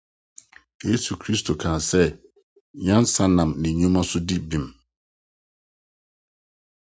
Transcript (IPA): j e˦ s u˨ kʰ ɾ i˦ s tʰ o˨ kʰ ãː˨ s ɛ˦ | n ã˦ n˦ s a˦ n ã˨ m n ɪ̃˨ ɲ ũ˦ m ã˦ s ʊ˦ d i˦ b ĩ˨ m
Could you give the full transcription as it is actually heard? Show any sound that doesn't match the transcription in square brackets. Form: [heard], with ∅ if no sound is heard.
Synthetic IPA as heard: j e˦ s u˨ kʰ ɾ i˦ s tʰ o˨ kʰ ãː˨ s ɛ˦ | [ɲ] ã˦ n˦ s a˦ n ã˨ m n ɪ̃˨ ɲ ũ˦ m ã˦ s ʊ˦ d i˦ b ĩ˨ m